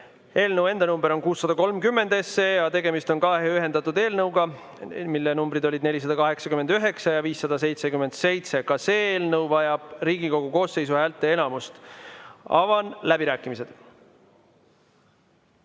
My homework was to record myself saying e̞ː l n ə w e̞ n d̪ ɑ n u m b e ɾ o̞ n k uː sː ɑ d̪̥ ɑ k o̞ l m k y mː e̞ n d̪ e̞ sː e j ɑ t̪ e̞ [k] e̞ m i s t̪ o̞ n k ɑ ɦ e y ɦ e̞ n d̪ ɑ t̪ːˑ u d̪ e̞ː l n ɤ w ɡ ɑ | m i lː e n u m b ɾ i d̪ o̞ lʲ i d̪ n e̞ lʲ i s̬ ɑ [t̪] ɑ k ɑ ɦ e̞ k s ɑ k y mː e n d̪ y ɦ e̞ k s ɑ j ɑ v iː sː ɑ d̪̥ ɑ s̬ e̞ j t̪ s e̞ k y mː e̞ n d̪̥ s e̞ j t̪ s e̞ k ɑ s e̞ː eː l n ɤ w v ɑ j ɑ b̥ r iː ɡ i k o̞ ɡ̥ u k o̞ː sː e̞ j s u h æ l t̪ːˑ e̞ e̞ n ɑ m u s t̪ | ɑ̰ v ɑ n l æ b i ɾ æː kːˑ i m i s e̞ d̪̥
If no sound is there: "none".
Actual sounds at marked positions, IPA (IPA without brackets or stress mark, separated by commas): ɡ, d̪